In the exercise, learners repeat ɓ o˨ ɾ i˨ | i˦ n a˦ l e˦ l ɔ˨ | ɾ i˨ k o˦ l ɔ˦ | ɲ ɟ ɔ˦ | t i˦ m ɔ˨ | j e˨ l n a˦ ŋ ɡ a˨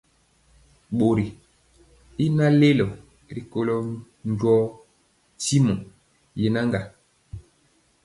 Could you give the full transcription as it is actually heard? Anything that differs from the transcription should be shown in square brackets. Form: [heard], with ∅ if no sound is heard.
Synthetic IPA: ɓ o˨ ɾ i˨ | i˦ n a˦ l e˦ l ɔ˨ | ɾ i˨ k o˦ l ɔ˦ | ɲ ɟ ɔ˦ | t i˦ m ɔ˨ | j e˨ [∅] n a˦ ŋ ɡ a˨